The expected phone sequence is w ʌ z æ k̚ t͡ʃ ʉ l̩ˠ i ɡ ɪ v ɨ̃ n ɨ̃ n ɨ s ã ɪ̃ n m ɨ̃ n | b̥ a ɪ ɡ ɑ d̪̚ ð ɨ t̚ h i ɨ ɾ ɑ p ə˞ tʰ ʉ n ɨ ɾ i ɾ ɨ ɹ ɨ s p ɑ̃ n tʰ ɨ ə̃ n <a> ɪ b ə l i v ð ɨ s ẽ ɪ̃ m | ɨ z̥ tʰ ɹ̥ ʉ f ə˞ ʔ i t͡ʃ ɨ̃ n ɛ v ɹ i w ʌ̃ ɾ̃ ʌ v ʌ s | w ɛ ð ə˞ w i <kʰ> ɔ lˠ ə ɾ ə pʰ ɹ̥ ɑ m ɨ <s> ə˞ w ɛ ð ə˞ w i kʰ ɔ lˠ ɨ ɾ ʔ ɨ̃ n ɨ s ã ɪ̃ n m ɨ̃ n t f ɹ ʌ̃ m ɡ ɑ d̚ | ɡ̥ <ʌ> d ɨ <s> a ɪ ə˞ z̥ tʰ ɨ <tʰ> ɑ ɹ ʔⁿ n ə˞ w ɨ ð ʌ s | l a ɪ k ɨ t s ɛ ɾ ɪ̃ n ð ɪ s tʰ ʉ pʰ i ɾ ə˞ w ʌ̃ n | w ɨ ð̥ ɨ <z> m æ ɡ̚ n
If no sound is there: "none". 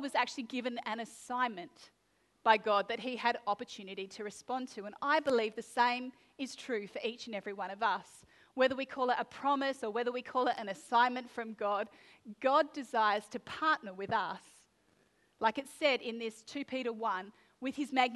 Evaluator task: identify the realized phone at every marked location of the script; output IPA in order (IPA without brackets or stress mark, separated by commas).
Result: a, kʰ, s, ɑ, z, pʰ, z